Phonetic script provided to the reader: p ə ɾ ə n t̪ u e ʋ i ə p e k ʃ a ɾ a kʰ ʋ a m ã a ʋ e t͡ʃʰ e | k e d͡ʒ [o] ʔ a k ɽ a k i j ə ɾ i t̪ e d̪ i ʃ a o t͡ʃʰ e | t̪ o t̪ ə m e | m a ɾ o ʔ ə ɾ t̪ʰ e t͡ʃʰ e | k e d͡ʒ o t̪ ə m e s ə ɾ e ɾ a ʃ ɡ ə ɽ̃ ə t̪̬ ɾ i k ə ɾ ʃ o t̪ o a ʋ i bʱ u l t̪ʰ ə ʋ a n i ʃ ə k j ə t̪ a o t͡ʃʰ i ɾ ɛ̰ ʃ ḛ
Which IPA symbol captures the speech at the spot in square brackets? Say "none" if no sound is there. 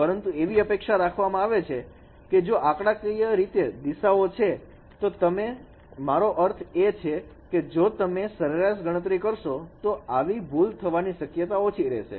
o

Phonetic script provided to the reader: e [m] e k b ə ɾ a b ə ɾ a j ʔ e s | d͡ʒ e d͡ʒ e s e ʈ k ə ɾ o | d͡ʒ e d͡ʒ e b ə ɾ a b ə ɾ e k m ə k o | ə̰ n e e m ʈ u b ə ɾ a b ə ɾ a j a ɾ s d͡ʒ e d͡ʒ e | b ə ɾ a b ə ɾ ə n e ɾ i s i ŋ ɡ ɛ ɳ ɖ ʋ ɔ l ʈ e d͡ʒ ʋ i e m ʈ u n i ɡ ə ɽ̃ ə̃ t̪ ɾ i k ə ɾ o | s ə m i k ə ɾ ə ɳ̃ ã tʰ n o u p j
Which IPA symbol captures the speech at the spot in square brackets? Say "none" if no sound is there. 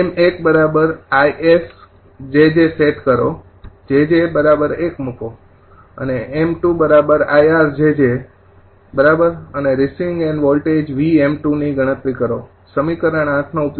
m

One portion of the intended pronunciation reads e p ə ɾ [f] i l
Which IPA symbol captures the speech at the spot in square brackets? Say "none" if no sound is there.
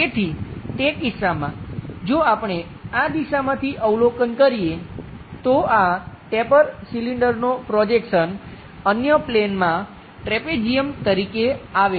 s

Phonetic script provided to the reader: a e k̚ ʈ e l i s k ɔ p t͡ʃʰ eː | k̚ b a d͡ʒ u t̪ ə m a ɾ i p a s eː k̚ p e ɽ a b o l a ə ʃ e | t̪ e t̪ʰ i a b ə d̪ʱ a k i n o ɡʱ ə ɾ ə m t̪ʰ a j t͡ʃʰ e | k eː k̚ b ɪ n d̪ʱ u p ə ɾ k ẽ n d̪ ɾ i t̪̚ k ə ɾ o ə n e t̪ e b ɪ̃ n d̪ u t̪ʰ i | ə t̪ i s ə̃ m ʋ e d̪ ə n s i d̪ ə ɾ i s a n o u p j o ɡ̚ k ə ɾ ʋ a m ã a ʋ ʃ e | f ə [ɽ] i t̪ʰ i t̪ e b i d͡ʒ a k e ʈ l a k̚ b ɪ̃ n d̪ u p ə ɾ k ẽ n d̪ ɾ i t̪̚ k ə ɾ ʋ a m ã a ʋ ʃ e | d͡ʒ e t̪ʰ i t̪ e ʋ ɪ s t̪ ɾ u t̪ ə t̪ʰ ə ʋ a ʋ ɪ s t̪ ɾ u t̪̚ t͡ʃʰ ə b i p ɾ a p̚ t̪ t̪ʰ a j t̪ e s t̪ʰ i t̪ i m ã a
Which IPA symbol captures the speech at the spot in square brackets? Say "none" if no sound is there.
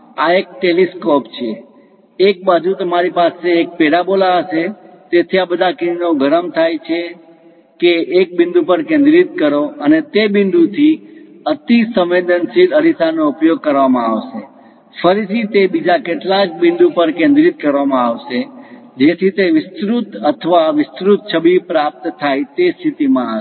ɾ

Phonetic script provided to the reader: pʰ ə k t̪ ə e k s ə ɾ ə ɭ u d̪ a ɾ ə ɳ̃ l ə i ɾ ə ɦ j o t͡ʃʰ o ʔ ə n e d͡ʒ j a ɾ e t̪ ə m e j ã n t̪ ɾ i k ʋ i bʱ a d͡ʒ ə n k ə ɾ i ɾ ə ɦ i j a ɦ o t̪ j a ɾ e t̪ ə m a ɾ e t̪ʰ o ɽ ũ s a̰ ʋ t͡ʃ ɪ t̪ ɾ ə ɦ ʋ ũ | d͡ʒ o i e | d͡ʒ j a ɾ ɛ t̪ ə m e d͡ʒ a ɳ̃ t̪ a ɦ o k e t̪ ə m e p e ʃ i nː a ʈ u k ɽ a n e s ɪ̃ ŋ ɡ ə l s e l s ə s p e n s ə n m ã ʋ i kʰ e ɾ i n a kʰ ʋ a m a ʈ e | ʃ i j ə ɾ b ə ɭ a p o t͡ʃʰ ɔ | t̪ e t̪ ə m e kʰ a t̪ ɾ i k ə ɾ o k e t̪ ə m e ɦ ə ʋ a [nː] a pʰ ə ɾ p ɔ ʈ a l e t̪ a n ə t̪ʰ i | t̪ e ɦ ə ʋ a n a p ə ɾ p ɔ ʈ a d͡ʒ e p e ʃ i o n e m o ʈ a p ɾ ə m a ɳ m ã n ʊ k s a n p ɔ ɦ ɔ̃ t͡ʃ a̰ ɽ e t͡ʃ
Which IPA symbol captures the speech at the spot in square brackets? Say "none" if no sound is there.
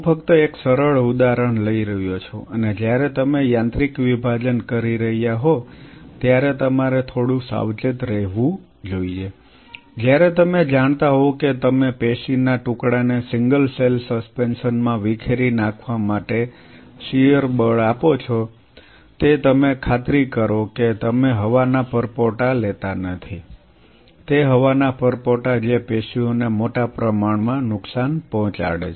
n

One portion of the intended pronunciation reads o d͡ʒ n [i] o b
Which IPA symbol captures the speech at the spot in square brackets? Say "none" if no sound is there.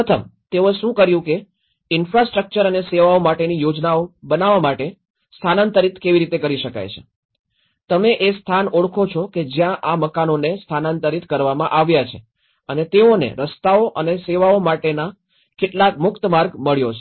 a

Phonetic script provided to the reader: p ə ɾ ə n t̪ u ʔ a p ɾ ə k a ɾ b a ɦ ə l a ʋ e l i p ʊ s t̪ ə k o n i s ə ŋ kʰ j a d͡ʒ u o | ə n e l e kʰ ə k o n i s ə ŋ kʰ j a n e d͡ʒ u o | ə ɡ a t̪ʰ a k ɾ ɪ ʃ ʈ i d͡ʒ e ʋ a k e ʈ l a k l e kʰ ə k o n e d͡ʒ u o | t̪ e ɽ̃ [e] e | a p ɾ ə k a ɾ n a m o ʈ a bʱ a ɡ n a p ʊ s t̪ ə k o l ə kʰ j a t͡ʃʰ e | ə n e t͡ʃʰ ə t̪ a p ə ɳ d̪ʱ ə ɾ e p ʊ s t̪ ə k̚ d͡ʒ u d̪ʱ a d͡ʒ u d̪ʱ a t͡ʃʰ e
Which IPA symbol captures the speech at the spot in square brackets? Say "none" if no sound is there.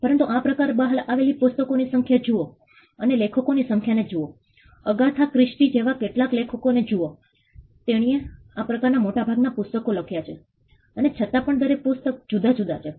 i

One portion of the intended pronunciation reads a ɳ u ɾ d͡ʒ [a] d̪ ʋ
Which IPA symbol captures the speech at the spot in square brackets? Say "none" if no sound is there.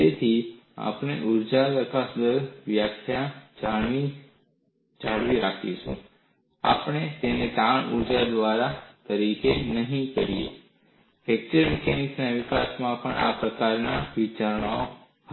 a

